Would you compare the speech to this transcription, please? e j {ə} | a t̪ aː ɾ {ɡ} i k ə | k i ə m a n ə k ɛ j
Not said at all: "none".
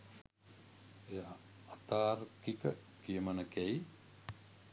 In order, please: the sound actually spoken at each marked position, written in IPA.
a, k

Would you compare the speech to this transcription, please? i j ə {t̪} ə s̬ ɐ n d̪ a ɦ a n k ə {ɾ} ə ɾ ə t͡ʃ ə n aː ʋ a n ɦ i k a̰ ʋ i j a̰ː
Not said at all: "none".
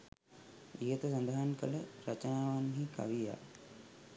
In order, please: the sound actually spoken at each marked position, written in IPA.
t̪, l

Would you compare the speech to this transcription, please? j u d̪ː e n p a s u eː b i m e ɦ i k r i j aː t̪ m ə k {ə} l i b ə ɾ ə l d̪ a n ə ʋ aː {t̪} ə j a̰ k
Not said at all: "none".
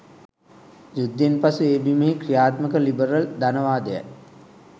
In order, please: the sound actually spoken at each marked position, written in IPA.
ə, d̪

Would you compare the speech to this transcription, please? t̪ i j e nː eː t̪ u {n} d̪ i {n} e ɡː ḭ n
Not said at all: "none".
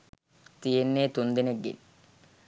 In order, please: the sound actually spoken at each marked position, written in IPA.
n, n

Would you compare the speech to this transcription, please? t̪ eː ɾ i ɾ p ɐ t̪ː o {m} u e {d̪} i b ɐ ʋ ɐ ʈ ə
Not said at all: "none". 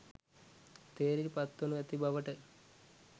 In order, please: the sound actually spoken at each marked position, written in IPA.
n, t̪

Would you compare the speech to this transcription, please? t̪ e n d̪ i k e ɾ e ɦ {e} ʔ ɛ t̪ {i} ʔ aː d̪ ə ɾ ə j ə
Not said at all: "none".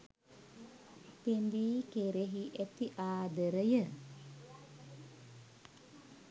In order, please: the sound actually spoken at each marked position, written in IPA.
i, i

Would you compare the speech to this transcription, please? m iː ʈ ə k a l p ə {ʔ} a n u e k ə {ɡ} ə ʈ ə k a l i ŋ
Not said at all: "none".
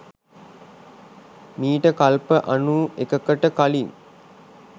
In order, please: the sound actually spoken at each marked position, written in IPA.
ʔ, k

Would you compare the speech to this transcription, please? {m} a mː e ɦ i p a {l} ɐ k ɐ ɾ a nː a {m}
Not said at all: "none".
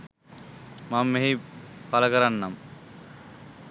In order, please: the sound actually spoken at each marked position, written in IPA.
m, l, m

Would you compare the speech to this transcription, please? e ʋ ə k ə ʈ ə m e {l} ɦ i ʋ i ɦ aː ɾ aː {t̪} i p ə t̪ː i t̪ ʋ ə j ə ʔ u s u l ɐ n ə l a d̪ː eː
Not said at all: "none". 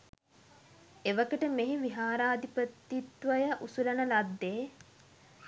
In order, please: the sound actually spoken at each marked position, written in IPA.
none, d̪

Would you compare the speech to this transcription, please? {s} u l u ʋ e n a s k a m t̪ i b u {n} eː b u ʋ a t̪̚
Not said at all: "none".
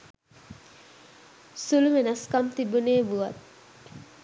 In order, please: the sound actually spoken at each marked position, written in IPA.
s, n

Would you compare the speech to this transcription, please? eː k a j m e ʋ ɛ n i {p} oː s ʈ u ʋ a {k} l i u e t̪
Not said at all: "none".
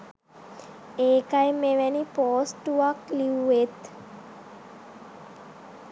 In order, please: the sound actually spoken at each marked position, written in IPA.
p, k

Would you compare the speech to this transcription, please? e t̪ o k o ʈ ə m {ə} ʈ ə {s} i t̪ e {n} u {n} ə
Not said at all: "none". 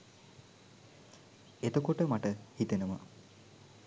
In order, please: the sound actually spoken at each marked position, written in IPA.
a, h, n, m

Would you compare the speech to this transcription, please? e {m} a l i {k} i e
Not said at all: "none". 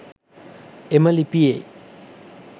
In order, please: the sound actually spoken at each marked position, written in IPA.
m, p

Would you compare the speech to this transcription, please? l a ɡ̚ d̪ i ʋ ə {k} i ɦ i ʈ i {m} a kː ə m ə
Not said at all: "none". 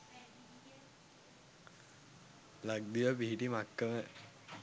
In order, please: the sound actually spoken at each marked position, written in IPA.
p, m

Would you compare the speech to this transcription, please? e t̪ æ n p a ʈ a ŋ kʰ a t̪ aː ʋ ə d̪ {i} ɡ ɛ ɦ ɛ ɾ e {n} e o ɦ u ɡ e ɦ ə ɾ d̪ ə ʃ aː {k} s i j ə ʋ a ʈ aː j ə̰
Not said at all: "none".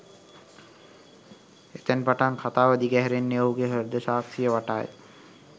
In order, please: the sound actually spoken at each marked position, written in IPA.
i, nː, k

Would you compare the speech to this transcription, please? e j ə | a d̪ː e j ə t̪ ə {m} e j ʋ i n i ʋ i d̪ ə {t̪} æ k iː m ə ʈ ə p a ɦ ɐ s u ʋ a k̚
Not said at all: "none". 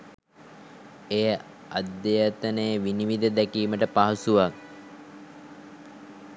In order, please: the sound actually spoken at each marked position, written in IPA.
n, d̪

